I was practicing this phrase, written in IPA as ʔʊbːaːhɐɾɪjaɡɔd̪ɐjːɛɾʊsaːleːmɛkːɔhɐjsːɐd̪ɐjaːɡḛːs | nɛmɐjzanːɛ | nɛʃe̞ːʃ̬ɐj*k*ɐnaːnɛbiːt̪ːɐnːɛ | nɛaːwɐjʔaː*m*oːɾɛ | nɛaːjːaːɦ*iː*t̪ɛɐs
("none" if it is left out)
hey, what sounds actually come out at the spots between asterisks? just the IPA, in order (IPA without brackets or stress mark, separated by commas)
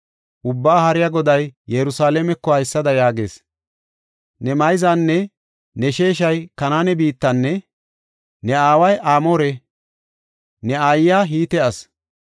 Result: k, m, iː